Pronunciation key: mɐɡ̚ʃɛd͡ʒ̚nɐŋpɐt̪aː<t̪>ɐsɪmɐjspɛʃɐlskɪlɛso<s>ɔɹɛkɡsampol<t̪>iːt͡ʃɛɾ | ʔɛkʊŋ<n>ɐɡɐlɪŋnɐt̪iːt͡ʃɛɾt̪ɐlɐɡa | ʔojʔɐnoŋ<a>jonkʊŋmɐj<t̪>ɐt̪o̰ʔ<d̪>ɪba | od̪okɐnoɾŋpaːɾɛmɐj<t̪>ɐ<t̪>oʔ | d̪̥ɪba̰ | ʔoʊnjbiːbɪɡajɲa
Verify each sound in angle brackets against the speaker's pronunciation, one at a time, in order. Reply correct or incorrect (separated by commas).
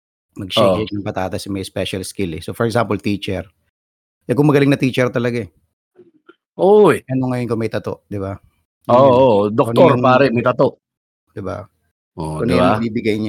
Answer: correct, incorrect, correct, incorrect, incorrect, correct, correct, correct, correct